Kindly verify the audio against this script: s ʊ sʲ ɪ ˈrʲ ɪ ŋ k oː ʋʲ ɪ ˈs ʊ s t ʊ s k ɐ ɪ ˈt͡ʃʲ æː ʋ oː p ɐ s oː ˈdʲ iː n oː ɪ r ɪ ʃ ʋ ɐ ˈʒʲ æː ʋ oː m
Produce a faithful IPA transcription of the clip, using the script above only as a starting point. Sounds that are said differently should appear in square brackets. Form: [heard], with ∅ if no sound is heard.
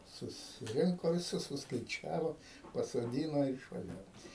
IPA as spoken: s ʊ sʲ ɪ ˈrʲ ɪ ŋ k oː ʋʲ ɪ ˈs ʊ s [s] ʊ s k ɐ ɪ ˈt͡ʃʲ æː ʋ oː p ɐ s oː ˈdʲ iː n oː ɪ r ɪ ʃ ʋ ɐ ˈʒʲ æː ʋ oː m